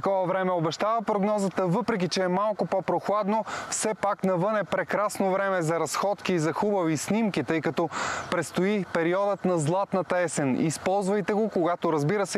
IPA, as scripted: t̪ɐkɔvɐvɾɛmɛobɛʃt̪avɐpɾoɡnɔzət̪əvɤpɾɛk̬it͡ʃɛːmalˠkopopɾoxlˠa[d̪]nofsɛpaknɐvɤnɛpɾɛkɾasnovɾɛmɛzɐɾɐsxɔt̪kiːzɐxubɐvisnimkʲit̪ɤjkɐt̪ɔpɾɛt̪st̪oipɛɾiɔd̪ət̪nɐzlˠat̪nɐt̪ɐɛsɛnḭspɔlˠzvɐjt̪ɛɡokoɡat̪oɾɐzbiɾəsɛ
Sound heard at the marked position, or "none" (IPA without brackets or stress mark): d̪